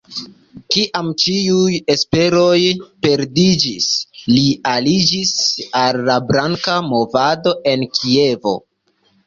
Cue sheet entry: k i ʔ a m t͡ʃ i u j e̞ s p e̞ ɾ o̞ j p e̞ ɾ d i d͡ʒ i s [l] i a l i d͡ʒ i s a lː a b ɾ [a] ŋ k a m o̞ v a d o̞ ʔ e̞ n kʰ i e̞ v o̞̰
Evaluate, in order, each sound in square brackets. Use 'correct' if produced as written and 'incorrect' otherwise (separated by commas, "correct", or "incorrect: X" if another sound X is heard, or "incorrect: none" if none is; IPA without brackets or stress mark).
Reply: correct, correct